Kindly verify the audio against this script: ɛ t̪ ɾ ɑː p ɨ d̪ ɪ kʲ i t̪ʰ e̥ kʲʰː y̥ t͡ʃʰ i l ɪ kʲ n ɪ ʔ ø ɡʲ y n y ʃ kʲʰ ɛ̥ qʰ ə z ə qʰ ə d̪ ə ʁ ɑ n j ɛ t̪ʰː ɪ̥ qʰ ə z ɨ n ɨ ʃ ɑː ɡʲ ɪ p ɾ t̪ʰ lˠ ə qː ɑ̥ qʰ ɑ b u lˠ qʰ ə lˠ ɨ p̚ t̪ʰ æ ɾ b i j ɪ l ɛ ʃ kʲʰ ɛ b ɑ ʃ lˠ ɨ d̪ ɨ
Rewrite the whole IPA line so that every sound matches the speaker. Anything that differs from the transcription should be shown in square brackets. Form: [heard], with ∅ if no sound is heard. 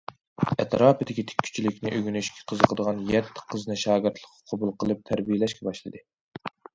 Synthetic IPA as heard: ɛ t̪ ɾ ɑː p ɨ d̪ ɪ kʲ i t̪ʰ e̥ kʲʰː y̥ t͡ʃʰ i l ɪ kʲ n ɪ ʔ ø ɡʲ y n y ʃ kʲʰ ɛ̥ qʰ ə z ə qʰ ə d̪ ə ʁ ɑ n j ɛ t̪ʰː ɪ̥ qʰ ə z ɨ n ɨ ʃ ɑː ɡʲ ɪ [∅] ɾ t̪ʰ lˠ ə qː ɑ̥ qʰ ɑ b u lˠ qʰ ə lˠ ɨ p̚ t̪ʰ æ ɾ b i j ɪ l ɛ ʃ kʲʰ ɛ b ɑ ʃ lˠ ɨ d̪ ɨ